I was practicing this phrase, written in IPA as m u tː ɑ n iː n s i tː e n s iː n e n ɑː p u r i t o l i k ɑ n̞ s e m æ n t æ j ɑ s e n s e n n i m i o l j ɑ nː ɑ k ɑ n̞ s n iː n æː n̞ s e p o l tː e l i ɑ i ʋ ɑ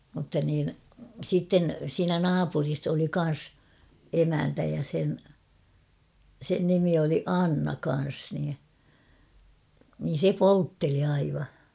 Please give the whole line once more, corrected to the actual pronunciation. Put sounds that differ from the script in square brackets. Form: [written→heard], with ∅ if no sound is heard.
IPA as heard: m u tː ɑ n iː n s i tː e n s iː n [e→æ] n ɑː p u r i [t→s] o l i k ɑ n̞ s e m æ n t æ j ɑ s e n s e n n i m i o l [j→i] ɑ nː ɑ k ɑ n̞ s n iː n [æː→iː] n̞ s e p o l tː e l i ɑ i ʋ ɑ